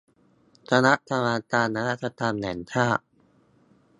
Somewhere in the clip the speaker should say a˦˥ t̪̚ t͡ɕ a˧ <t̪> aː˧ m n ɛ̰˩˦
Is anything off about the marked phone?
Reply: no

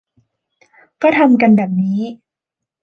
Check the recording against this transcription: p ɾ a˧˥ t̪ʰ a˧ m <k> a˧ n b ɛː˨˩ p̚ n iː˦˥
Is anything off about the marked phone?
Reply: no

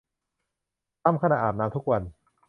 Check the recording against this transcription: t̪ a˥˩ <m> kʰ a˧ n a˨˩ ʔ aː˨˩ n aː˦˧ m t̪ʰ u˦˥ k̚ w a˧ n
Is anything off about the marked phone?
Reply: no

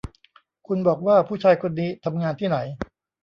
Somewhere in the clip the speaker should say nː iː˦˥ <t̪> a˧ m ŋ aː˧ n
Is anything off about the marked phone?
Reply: yes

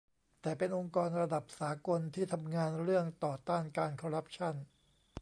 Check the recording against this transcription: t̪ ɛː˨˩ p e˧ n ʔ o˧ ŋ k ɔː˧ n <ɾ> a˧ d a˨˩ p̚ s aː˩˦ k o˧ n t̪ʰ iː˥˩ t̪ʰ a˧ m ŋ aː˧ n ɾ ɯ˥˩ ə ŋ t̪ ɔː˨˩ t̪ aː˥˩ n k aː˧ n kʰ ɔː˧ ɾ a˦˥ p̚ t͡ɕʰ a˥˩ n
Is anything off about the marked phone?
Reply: no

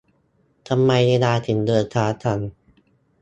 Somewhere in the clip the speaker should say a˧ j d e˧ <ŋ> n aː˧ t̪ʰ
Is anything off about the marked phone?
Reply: yes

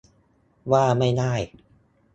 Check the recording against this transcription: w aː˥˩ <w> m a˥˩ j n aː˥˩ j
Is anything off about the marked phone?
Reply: yes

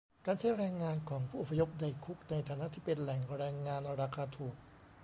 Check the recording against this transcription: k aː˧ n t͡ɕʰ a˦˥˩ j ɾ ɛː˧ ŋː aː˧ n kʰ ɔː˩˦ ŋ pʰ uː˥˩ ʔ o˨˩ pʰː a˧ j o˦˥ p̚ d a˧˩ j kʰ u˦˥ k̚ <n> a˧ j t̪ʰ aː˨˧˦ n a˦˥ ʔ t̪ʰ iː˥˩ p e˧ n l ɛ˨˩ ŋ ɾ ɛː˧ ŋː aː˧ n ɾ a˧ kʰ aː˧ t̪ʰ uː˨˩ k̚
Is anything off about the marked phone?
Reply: no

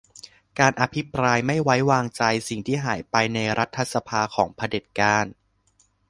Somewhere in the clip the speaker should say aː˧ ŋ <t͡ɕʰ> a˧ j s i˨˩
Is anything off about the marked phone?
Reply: yes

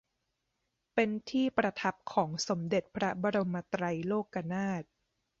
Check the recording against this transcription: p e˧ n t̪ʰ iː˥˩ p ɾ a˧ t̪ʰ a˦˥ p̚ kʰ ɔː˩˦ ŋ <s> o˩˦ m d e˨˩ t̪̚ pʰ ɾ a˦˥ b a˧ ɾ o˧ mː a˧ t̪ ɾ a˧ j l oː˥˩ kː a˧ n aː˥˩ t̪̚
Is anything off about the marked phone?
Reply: no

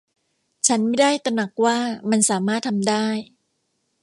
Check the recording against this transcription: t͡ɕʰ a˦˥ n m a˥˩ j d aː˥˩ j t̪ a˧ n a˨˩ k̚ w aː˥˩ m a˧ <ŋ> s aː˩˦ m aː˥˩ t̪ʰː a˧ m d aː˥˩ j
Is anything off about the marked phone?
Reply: yes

